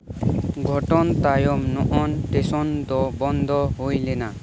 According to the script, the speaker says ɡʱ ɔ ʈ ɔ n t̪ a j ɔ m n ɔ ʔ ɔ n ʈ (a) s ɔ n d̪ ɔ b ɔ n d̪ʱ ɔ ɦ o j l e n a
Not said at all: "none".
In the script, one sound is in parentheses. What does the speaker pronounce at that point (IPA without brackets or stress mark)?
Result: e